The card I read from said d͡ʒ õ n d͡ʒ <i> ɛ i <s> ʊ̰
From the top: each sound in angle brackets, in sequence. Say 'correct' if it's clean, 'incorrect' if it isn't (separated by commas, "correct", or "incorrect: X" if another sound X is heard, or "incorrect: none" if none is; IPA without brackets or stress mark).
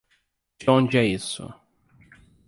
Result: incorrect: ɪ, correct